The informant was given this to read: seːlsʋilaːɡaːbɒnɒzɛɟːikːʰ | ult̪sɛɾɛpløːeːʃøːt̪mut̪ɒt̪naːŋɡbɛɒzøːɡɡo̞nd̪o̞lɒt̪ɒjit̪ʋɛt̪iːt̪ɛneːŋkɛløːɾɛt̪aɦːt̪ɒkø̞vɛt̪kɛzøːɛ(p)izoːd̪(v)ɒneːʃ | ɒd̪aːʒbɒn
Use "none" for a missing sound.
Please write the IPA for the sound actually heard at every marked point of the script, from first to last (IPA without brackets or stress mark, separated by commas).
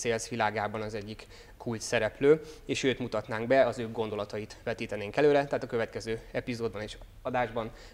p, b